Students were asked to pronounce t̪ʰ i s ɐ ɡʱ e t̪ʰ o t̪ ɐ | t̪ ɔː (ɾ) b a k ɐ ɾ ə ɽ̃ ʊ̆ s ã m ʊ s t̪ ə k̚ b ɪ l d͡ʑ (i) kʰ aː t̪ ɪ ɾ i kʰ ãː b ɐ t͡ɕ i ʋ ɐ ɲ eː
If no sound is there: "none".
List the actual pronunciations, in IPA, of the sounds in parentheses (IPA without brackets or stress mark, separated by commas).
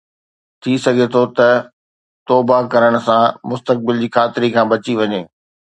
none, iː